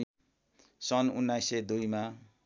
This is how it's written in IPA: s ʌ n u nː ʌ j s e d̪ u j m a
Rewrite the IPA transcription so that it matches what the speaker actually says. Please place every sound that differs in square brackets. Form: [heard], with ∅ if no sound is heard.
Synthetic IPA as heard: s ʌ n u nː [a] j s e d̪ u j m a